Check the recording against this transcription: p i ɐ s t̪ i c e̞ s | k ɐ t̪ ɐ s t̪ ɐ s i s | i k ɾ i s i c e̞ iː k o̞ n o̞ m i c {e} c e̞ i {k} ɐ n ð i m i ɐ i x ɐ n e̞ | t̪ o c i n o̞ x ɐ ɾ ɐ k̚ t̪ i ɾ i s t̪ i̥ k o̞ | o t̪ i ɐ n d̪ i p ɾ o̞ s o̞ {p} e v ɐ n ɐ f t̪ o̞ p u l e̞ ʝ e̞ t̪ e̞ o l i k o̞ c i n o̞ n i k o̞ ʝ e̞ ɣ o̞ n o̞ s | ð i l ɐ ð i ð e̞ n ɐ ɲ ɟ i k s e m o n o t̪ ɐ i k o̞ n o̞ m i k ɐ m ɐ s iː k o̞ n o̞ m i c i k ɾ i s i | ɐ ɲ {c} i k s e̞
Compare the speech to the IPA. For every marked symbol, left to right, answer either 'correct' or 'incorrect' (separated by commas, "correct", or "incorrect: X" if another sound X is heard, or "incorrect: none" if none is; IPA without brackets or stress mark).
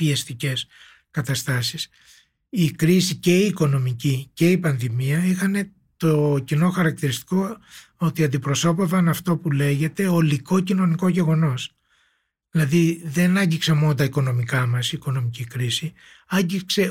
incorrect: i, incorrect: p, correct, incorrect: ɟ